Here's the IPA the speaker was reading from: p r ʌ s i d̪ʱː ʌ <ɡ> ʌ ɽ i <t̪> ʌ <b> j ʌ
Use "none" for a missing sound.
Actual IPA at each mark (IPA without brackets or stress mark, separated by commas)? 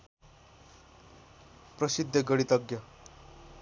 ɡ, t̪, ɡ